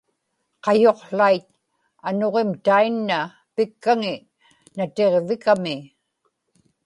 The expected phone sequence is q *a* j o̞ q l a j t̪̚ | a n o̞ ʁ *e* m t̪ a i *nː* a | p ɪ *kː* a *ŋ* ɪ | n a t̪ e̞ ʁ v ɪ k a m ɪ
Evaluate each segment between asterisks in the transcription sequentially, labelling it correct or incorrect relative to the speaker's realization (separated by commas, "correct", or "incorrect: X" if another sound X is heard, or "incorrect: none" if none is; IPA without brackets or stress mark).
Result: incorrect: ɑ, correct, correct, correct, correct